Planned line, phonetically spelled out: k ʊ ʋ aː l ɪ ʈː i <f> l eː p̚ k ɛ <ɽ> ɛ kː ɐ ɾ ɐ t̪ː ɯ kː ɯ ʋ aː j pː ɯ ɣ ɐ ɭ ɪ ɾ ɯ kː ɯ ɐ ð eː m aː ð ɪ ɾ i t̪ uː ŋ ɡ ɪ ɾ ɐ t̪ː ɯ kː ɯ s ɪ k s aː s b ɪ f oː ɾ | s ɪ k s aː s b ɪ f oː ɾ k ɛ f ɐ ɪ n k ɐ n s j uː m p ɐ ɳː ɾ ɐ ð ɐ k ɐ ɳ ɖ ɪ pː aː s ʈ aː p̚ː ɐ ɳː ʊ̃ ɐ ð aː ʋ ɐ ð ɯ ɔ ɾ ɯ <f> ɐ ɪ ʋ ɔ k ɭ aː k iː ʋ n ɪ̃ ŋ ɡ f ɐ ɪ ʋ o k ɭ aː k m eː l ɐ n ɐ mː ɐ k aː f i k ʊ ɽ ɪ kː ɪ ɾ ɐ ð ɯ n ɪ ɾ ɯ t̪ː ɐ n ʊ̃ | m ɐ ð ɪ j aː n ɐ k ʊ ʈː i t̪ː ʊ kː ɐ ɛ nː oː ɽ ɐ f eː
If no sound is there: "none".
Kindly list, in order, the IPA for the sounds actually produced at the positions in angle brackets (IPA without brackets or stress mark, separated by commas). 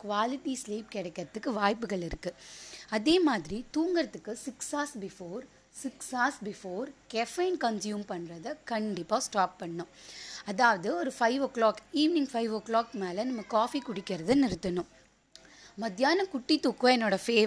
s, ɽ, f